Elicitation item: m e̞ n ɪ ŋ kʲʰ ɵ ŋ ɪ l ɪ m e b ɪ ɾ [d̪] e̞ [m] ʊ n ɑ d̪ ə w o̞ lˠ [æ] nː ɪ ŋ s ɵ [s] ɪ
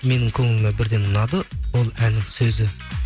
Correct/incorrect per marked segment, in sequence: correct, incorrect: n, correct, incorrect: z

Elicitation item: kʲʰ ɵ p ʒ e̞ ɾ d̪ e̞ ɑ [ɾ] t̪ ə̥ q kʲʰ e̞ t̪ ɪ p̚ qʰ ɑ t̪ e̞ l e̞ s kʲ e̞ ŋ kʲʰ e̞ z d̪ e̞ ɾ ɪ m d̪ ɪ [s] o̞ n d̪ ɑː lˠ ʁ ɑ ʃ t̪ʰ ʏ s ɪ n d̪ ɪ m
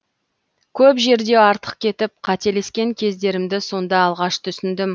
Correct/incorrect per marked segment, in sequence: correct, correct

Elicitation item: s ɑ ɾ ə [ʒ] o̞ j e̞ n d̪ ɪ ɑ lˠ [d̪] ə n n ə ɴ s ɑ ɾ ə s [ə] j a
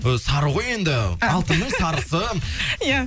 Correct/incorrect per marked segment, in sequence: incorrect: ʁ, incorrect: t̪, correct

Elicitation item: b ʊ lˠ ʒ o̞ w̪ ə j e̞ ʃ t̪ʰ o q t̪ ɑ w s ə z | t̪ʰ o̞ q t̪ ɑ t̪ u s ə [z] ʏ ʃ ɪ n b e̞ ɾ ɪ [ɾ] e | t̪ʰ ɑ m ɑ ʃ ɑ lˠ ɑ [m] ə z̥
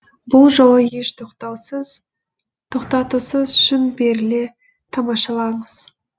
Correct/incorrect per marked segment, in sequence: correct, incorrect: l, incorrect: ɴ

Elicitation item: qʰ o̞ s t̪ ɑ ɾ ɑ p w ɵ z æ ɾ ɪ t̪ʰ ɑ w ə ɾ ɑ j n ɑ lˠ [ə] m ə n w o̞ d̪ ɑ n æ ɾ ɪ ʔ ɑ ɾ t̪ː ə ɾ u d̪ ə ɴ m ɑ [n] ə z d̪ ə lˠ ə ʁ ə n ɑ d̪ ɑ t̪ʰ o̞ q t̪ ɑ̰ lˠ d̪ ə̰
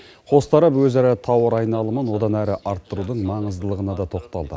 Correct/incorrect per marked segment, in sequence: correct, incorrect: ɴ

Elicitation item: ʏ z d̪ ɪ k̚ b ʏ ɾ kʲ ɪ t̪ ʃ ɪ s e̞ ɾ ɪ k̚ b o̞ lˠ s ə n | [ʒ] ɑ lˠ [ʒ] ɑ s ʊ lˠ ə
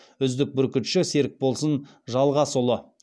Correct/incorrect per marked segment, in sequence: correct, incorrect: ʁ

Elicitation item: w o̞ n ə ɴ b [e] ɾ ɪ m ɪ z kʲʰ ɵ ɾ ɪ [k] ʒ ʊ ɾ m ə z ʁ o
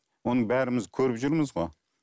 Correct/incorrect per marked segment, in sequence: incorrect: æ, incorrect: p

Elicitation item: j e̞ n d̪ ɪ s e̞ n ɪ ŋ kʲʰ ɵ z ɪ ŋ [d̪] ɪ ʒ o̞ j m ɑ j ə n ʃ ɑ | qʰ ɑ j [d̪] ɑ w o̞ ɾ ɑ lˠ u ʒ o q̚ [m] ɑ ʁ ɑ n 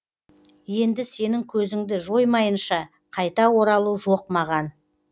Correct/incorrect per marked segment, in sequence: correct, incorrect: t̪, correct

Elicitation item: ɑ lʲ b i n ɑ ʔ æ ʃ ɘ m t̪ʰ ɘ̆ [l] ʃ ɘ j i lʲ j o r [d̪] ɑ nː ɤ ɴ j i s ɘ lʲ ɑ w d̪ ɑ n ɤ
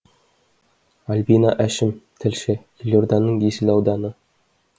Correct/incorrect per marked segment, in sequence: correct, correct

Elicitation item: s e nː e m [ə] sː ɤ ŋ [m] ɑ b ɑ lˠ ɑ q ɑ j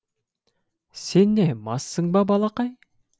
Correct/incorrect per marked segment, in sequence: incorrect: ɑ, incorrect: b

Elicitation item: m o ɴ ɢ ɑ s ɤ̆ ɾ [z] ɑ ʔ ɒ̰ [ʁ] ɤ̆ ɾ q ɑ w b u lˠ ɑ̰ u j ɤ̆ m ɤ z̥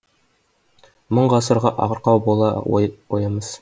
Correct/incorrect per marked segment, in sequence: incorrect: ʁ, correct

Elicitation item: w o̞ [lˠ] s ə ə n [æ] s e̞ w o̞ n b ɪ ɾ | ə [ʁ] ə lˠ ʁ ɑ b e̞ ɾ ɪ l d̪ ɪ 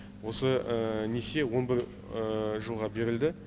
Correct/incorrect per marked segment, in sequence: incorrect: none, incorrect: e, incorrect: ʒ

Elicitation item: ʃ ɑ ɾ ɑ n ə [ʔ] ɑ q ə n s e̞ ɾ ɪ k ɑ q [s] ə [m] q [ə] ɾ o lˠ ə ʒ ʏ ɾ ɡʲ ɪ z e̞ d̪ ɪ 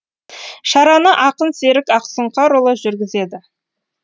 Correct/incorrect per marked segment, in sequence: correct, correct, incorrect: ɴ, incorrect: ɑ

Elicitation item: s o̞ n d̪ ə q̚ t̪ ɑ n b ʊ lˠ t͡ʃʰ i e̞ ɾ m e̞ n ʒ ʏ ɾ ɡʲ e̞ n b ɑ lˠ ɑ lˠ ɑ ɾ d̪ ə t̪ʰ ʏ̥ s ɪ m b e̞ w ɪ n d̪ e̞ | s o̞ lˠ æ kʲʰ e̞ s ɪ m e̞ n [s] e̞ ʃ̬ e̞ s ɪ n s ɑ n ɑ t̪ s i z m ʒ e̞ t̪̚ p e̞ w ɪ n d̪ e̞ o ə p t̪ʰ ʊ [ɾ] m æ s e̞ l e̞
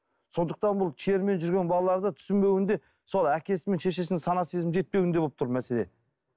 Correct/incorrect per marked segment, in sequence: incorrect: ʃ, correct

